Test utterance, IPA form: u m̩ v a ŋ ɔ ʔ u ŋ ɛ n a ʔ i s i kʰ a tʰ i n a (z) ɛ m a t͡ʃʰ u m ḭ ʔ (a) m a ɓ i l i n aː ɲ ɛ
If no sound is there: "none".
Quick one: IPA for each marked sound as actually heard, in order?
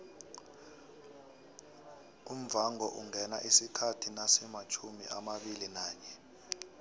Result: s, a

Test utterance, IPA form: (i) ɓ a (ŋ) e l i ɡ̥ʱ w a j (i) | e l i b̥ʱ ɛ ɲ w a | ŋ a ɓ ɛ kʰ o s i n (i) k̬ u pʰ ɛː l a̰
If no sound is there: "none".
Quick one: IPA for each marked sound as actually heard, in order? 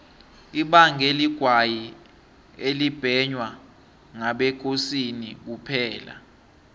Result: i, ŋ, i, i

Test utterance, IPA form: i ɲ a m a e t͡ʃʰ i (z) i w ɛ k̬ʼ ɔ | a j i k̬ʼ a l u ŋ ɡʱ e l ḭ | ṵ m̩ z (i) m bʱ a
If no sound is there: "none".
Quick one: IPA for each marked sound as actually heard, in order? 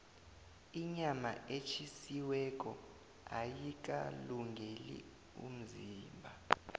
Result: s, iː

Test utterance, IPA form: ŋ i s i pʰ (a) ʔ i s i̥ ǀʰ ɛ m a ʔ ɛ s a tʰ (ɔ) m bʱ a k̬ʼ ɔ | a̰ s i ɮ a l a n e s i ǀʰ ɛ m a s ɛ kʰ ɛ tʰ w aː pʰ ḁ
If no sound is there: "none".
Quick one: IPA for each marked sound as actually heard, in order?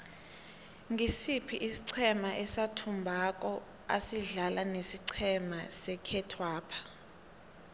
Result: i, u

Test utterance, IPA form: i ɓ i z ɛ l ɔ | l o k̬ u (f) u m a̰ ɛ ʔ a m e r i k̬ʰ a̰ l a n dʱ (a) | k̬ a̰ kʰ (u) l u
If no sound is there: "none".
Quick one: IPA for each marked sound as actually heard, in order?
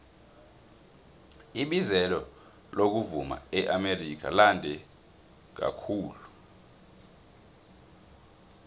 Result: v, ɛ, uː

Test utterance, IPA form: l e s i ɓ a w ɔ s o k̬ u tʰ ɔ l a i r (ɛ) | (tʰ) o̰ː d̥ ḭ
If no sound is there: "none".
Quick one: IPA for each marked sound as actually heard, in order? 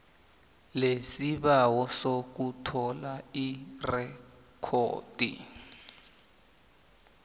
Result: ɛ, kʰ

